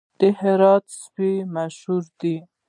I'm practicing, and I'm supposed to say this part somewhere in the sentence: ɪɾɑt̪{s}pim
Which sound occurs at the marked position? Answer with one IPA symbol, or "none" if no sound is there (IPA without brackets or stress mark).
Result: s